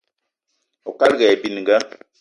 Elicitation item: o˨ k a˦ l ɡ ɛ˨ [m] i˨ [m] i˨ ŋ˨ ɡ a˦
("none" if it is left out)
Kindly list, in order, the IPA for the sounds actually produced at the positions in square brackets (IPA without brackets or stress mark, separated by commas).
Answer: b, n